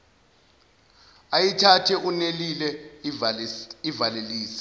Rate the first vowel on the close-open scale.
open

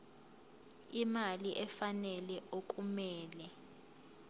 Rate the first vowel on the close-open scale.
close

